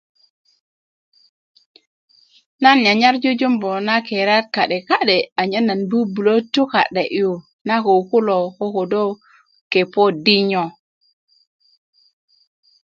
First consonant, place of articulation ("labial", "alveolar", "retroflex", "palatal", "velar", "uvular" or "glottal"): alveolar